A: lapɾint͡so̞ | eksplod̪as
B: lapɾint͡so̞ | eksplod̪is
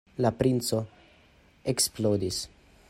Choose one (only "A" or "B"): B